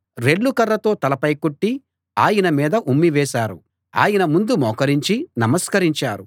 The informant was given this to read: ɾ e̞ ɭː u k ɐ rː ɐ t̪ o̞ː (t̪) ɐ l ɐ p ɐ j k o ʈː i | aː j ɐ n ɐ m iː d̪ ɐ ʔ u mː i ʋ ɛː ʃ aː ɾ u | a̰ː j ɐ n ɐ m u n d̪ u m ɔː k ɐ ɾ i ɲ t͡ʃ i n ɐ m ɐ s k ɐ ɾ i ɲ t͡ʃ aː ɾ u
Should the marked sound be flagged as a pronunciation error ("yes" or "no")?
no